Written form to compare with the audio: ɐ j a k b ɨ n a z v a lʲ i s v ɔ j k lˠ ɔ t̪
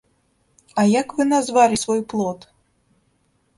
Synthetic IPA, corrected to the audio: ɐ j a k v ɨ n a z v a lʲ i s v ɔ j p lˠ ɔ t̪